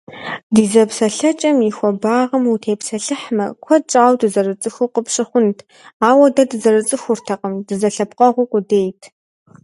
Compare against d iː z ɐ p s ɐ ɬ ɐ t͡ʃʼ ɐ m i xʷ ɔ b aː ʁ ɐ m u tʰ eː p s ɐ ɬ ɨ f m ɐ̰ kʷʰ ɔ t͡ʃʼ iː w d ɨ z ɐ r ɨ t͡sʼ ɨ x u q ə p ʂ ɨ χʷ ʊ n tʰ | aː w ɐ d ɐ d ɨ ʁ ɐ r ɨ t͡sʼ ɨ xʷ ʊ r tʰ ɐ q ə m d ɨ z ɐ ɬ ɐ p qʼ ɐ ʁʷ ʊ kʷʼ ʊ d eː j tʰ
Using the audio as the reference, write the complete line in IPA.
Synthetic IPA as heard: d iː z ɐ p s ɐ ɬ ɐ t͡ʃʼ ɐ m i xʷ ɔ b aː ʁ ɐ m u tʰ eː p s ɐ ɬ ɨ ħ m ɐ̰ kʷʰ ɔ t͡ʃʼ aː w d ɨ z ɐ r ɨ t͡sʼ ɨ x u q ə p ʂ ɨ χʷ ʊ n tʰ | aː w ɐ d ɐ d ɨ z ɐ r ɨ t͡sʼ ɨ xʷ ʊ r tʰ ɐ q ə m d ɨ z ɐ ɬ ɐ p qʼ ɐ ʁʷ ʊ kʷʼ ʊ d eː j tʰ